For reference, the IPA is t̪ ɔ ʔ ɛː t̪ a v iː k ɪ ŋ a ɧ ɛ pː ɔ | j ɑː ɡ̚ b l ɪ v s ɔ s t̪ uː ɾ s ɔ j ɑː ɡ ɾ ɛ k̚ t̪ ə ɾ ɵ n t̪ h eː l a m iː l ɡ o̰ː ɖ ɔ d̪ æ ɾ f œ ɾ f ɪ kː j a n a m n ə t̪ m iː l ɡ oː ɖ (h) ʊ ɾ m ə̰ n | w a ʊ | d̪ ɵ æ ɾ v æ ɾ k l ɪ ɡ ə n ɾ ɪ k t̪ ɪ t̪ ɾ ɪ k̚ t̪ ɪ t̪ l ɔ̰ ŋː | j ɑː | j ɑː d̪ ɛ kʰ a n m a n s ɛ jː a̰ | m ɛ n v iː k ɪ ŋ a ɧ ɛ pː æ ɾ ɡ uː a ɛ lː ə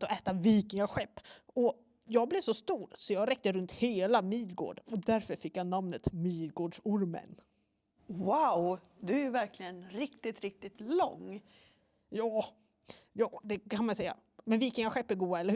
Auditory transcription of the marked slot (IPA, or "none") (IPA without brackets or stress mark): ʂ